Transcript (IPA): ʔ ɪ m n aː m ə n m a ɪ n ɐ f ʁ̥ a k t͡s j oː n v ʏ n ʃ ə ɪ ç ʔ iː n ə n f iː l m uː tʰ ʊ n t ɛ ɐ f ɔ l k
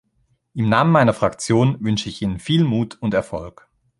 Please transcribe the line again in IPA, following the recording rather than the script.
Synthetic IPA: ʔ ɪ m n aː m ə n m a ɪ n ɐ f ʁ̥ a k t͡s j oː n v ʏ n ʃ ə ɪ ç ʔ iː n ə n f iː l m uː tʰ ʊ n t ɛ ɐ f ɔ l k

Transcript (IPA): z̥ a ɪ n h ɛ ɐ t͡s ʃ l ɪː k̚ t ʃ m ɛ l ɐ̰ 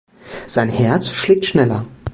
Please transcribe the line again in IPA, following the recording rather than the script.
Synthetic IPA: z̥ a ɪ n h ɛ ɐ t͡s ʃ l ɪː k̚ t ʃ n ɛ l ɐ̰

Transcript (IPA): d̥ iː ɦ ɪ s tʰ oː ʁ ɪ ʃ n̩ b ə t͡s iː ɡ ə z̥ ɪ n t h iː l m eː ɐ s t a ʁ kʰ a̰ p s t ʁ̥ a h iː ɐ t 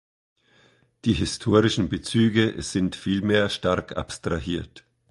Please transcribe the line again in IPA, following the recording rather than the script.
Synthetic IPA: d̥ iː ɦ ɪ s tʰ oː ʁ ɪ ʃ n̩ b ə t͡s yː ɡ ə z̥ ɪ n t f iː l m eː ɐ ʃ t a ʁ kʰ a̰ p s t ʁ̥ a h iː ɐ t

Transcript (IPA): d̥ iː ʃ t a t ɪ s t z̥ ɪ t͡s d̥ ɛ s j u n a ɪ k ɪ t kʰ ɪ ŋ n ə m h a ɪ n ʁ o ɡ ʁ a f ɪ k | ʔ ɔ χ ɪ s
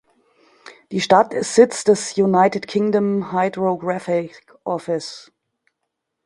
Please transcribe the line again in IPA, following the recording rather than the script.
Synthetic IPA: d̥ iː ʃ t a t ɪ s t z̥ ɪ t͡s d̥ ɛ s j u n a ɪ t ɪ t kʰ ɪ ŋ d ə m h a ɪ d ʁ o ɡ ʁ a f ɪ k | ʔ ɔ f ɪ s

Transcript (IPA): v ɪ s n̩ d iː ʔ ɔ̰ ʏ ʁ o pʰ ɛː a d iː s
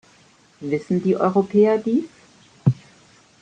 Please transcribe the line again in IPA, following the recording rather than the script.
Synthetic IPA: v ɪ s n̩ d iː ʔ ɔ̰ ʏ ʁ o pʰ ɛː ɐ d iː s

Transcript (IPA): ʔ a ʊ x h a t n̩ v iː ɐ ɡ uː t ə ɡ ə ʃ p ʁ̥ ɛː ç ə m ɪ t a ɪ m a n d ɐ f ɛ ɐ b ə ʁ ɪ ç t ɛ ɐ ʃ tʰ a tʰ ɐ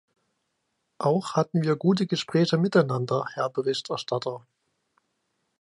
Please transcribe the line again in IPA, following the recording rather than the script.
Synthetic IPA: ʔ a ʊ x h a t n̩ v iː ɐ ɡ uː t ə ɡ ə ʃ p ʁ̥ ɛː ç ə m ɪ t a ɪ n a n d ɐ h ɛ ɐ b ə ʁ ɪ ç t ɛ ɐ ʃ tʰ a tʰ ɐ

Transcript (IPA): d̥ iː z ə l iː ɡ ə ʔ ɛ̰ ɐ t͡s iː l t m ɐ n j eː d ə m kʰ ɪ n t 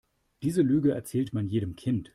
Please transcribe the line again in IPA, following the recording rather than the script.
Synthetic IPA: d̥ iː z ə l yː ɡ ə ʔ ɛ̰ ɐ t͡s ɛː l t m a n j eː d ə m kʰ ɪ n t

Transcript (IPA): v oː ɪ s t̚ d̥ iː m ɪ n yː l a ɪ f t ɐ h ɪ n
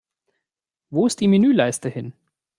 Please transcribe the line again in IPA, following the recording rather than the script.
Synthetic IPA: v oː ɪ s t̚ d̥ iː m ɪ n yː l a ɪ s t ə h ɪ n

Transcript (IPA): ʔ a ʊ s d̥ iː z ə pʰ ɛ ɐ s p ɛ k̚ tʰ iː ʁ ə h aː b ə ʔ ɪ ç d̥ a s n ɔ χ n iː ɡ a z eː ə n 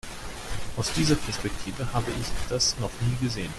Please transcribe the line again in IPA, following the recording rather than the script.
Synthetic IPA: ʔ a ʊ s d̥ iː z ɐ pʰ ɛ ɐ s p ɛ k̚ tʰ iː v ə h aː b ə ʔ ɪ ç d̥ a s n ɔ χ n iː ɡ ə z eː ə n

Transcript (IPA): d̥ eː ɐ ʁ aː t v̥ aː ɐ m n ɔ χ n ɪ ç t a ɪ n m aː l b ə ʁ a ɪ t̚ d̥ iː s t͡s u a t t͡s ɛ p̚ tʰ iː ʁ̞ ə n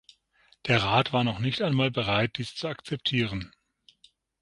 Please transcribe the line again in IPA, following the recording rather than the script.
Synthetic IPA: d̥ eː ɐ ʁ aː t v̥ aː ɐ n ɔ χ n ɪ ç t a ɪ n m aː l b ə ʁ a ɪ t̚ d̥ iː s t͡s u a k t͡s ɛ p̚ tʰ iː ʁ̞ ə n

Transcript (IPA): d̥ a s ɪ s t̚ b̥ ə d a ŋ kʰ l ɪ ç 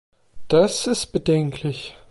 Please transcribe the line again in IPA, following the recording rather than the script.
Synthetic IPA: d̥ a s ɪ s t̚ b̥ ə d ɛ ŋ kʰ l ɪ ç

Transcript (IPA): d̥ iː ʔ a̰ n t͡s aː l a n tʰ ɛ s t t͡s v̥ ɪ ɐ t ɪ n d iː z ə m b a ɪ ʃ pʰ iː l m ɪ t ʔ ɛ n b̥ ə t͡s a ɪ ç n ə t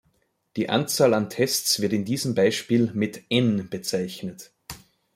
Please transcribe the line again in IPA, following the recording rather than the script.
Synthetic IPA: d̥ iː ʔ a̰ n t͡s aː l a n tʰ ɛ s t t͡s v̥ ɪ ɐ t ɪ n d iː z ə m b a ɪ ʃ p iː l m ɪ t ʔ ɛ n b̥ ə t͡s a ɪ ç n ə t

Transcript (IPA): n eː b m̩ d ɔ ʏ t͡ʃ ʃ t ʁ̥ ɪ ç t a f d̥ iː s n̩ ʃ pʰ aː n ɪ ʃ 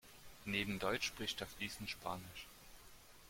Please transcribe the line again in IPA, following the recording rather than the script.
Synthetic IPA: n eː b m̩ d ɔ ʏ t͡ʃ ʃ p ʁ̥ ɪ ç t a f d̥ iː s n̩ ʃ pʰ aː n ɪ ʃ

